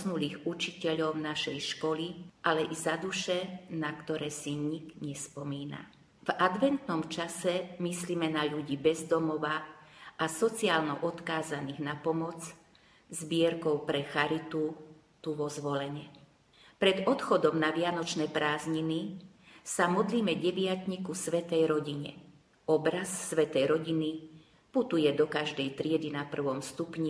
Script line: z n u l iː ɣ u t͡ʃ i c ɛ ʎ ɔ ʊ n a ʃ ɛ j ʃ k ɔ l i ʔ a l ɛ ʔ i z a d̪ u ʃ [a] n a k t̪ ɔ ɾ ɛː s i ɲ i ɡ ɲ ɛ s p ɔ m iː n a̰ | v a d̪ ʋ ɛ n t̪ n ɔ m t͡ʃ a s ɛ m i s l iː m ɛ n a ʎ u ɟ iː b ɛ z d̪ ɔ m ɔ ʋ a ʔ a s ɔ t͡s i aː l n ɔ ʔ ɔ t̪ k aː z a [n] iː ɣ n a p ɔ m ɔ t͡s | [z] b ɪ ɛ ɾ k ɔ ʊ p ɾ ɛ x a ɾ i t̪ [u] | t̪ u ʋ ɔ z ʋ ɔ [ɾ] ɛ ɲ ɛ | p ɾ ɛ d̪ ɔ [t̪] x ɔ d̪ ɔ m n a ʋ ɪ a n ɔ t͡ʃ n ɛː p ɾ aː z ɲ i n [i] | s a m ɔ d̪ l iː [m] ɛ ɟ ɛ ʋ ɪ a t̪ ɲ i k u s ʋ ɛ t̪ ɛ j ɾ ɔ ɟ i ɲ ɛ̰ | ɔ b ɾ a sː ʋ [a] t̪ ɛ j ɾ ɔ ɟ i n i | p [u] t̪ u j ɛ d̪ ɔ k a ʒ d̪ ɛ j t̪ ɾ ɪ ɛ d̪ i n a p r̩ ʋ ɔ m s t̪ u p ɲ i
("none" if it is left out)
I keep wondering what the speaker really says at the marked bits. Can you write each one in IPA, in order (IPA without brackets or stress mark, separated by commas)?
ɛ, n, z, u, l, t̪, i, m, ɛ, u